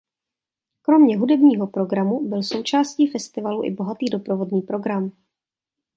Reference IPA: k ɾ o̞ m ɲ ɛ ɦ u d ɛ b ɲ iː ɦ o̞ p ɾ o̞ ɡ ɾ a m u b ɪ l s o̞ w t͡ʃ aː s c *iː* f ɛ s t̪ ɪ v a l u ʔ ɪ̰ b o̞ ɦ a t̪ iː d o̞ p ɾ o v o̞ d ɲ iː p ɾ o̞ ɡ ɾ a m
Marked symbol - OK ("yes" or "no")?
yes